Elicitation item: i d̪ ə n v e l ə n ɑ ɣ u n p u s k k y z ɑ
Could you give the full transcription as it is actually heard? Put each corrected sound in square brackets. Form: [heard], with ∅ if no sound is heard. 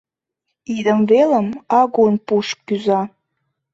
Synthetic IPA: i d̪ ə [m] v e l ə [m] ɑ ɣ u n p u [ʃ] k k y z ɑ